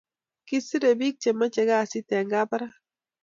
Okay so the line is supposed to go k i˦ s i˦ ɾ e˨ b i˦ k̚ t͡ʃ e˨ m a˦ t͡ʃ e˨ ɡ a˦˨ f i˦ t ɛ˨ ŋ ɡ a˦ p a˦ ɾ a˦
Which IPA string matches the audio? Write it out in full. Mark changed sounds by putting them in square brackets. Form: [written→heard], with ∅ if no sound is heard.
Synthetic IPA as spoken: k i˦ s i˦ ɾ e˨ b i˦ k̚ t͡ʃ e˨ m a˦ t͡ʃ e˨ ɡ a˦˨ [f→s] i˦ t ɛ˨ ŋ ɡ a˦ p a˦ ɾ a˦

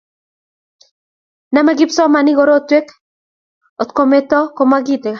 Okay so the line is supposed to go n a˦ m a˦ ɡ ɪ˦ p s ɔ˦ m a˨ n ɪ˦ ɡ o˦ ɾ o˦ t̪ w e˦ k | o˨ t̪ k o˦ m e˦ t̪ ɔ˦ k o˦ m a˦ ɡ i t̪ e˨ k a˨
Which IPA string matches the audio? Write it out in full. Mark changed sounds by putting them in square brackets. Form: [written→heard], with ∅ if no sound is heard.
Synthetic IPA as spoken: n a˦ m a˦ ɡ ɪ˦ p s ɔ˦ m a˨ n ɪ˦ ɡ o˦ ɾ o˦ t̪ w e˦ k | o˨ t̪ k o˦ m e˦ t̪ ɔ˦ k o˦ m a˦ ɡ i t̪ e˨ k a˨

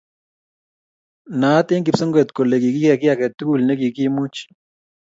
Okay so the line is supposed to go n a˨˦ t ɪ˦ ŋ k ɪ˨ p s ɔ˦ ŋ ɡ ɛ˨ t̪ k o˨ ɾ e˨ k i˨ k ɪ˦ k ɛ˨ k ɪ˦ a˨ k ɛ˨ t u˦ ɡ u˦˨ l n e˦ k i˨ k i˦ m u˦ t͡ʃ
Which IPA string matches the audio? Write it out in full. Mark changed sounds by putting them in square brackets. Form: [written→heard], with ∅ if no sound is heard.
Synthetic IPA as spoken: n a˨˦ t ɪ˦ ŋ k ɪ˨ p s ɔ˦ ŋ ɡ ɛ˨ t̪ k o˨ [ɾ→l] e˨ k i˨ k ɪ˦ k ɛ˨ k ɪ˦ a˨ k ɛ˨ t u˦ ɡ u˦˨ l n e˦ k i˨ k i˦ m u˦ t͡ʃ

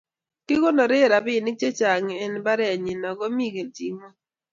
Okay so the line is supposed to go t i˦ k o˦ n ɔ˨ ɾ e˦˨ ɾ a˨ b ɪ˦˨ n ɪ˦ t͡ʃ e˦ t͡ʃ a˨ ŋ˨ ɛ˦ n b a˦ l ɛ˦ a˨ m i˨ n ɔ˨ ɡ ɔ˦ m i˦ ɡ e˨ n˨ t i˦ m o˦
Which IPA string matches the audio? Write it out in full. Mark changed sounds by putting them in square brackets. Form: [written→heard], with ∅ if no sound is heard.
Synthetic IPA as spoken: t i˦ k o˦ n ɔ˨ ɾ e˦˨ ɾ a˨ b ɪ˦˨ n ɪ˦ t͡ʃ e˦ t͡ʃ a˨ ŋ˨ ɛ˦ n b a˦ [l→ɾ] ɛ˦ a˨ [m→ɲ] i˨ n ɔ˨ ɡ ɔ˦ m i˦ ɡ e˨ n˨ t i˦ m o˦

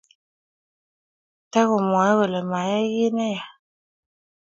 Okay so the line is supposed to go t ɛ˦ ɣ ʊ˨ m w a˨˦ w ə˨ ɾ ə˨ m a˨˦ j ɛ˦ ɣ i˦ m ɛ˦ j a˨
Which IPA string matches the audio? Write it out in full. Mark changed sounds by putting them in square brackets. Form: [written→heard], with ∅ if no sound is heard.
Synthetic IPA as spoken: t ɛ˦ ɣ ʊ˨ m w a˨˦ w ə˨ [ɾ→l] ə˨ m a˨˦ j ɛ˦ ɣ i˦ [m→n] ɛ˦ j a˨

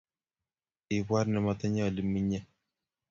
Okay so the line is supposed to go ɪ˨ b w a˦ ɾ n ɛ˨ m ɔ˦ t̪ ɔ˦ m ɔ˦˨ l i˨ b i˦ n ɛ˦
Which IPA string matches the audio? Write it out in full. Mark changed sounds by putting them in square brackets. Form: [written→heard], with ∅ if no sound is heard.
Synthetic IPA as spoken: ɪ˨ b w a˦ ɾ n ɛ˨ m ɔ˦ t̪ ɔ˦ [m→ɲ] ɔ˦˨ l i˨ [b→m] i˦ [n→ɲ] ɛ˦

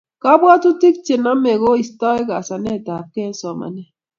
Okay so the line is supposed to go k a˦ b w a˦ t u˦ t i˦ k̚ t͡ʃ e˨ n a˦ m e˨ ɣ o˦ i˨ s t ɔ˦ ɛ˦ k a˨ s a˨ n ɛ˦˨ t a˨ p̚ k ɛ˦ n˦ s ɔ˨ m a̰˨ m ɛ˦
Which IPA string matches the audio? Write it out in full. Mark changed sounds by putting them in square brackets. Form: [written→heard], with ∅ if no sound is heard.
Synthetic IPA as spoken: k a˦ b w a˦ t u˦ t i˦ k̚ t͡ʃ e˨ n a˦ m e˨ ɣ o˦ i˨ s t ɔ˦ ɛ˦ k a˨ s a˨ n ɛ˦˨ t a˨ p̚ k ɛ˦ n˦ s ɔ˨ m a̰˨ [m→n] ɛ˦

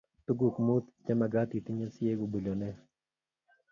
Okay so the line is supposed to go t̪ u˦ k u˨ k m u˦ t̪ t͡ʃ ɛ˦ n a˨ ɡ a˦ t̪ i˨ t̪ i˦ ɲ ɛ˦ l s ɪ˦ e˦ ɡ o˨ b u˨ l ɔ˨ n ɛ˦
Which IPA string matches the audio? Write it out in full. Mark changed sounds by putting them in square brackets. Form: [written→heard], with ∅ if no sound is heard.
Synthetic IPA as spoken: t̪ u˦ [k→ɡ] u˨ k m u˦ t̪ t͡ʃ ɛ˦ [n→m] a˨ ɡ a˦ t̪ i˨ t̪ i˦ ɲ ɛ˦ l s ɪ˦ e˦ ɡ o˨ b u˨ l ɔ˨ n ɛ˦

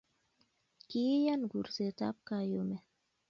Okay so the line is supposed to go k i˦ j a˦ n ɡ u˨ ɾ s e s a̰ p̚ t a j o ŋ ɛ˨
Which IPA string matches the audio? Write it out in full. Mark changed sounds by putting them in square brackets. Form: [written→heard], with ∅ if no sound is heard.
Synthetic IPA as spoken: k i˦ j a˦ n ɡ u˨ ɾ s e [s→t] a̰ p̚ [t→k] a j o [ŋ→m] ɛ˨

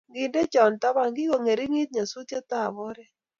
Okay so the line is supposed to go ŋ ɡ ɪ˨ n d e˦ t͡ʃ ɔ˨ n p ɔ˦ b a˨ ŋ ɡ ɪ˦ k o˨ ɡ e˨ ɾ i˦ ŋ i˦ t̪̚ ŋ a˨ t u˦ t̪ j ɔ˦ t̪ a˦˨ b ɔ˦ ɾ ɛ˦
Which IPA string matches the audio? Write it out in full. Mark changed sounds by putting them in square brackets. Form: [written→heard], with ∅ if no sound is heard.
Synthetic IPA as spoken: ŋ ɡ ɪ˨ n d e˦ t͡ʃ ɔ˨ n [p→t] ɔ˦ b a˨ ŋ ɡ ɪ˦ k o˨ [ɡ→ŋ] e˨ ɾ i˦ ŋ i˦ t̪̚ [ŋ→ɲ] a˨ [t→s] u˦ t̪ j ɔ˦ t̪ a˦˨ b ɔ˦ ɾ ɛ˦

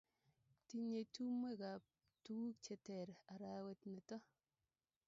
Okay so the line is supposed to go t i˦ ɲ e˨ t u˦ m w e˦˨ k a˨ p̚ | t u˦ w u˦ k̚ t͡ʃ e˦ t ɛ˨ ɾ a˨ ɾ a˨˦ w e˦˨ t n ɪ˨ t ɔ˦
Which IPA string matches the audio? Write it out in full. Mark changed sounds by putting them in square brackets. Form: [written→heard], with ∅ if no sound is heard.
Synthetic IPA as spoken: t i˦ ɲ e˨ t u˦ m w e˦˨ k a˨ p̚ | t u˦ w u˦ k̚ t͡ʃ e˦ t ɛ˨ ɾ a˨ ɾ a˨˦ w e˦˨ t n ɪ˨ t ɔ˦

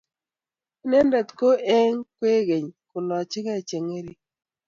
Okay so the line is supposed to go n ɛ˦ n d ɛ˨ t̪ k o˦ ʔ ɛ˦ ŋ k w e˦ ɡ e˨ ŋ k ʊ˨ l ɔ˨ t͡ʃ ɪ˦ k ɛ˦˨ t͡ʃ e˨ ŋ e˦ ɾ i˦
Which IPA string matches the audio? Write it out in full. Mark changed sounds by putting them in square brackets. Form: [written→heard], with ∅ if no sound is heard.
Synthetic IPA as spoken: n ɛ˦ n d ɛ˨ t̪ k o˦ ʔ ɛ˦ ŋ k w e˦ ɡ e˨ [ŋ→ɲ] k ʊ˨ l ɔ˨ t͡ʃ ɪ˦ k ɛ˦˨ t͡ʃ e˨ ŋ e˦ ɾ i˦

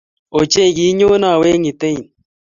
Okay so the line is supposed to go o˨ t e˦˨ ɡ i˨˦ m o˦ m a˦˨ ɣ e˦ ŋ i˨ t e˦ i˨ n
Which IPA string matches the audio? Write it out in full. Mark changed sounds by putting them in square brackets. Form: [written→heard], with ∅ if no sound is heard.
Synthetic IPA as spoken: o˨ [t→t͡ʃ] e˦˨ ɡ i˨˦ [m→ɲ] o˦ [m→n] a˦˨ [ɣ→w] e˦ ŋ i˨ t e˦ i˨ n

